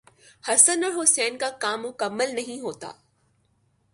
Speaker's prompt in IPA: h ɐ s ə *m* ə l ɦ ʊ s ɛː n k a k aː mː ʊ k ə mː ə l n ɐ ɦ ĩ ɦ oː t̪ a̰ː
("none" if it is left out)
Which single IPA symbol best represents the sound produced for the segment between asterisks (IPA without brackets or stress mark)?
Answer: n